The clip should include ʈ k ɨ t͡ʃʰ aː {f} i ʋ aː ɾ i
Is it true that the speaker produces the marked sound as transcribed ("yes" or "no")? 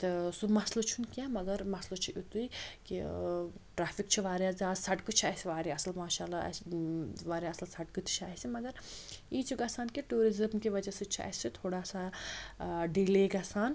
no